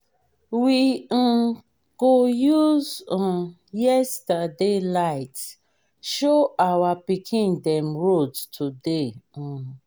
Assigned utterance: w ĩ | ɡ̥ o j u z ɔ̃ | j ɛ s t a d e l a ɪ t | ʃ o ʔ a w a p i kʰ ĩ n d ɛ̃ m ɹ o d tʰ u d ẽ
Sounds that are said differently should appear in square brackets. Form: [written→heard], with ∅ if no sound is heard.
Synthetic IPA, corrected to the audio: w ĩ | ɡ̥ o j u z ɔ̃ | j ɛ s t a d e l a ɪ t | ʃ o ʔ a w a p i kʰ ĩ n d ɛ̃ m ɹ o d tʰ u d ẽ